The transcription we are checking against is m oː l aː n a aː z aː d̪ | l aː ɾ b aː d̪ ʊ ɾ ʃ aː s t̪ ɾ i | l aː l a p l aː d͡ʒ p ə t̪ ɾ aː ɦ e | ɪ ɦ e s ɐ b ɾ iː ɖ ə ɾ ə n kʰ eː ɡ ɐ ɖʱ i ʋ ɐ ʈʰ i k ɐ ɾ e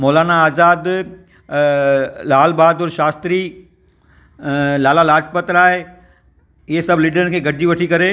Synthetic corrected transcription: m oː l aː n a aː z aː d̪ | l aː l b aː d̪ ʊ ɾ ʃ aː s t̪ ɾ i | l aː l a l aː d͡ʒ p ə t̪ ɾ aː ɦ e | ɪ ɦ e s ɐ b l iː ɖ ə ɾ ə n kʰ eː ɡ ɐ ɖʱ i ʋ ɐ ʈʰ i k ɐ ɾ e